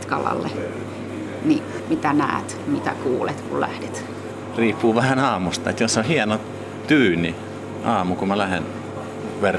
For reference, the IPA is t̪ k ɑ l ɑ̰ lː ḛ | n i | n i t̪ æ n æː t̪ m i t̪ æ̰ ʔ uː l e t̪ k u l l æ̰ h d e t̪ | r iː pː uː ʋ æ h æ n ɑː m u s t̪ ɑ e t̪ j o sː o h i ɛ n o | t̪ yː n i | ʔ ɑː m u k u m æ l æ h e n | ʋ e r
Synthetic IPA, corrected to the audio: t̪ k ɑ l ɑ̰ lː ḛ | n i | m i t̪ æ n æː t̪ m i t̪ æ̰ k uː l e t̪ k u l l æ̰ h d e t̪ | r iː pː uː ʋ æ h æ n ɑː m u s t̪ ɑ e t̪ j o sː o h i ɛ n o | t̪ yː n i | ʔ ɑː m u k u m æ l æ h e n | ʋ e r